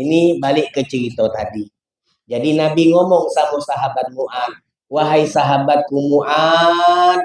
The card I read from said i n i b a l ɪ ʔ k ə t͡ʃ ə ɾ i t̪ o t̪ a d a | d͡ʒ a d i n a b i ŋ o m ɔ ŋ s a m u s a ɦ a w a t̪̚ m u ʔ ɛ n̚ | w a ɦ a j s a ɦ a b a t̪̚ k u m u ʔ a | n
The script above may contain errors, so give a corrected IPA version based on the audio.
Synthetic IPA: i n i b a l ɪ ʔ k ə t͡ʃ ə ɾ i t̪ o t̪ a d i | d͡ʒ a d i n a b i ŋ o m ɔ ŋ s a m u s a ɦ a b a t̪̚ m u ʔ a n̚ | w a ɦ a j s a ɦ a b a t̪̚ k u m u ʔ a | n